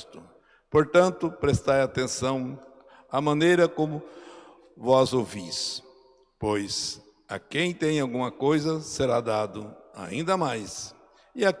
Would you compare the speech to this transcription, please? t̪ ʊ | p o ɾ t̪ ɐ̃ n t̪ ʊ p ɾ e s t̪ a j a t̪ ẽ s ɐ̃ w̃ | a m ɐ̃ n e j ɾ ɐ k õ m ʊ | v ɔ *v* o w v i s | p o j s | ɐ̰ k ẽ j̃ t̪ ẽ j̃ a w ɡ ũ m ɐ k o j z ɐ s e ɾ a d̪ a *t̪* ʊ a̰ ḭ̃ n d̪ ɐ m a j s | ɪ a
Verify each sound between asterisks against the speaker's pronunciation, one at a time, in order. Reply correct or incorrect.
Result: incorrect: z, incorrect: d̪

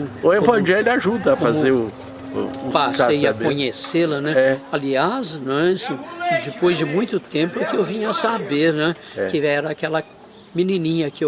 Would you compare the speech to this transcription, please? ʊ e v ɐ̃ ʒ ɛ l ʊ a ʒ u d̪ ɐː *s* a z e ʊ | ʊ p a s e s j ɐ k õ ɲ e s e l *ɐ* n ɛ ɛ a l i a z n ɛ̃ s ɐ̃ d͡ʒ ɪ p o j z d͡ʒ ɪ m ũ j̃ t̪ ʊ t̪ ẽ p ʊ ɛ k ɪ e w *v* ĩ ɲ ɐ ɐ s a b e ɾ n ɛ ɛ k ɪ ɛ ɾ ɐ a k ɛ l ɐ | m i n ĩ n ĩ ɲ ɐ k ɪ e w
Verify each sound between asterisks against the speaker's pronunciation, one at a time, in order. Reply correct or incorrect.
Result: incorrect: f, correct, correct

